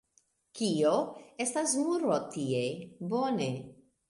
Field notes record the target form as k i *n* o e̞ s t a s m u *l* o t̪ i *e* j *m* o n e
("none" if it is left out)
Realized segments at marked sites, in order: none, ɾ, e, b

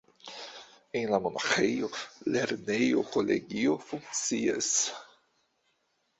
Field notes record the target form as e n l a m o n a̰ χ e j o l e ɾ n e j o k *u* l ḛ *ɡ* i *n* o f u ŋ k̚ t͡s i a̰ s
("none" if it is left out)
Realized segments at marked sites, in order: o, ɡ, none

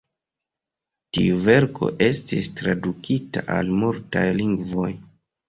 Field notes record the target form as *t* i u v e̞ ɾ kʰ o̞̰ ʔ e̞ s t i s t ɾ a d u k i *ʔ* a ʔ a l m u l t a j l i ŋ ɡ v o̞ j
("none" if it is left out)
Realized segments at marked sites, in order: t, t

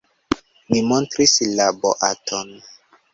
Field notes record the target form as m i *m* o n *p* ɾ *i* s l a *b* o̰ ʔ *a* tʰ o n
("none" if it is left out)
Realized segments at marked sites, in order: m, t, i, b, a

